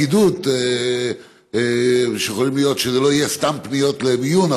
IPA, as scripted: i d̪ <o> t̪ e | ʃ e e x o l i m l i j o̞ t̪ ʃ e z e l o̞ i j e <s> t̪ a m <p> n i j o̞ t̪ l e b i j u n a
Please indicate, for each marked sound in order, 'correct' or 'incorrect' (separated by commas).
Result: incorrect, correct, correct